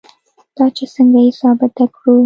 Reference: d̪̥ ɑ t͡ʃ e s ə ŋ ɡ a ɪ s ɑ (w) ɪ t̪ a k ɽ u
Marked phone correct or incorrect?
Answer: incorrect